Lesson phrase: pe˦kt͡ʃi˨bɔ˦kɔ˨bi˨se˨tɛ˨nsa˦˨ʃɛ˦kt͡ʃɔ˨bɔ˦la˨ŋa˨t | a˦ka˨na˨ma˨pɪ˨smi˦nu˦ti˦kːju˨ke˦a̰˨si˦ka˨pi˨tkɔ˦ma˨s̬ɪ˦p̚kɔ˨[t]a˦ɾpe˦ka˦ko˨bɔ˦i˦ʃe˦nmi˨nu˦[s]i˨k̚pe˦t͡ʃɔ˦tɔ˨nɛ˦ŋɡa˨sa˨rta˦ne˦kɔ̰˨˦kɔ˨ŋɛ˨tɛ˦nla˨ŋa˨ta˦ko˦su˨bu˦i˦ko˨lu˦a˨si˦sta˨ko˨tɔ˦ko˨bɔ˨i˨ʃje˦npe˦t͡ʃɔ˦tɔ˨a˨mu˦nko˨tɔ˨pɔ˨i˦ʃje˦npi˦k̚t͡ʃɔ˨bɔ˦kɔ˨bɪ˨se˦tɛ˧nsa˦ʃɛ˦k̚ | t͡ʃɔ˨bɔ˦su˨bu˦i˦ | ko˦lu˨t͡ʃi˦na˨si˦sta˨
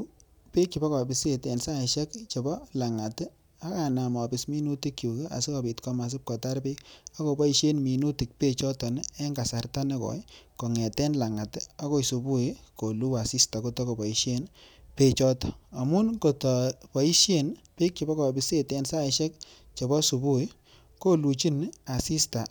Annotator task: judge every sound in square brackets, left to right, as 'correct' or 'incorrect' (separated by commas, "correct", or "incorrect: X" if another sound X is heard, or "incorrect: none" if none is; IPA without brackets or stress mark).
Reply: correct, incorrect: t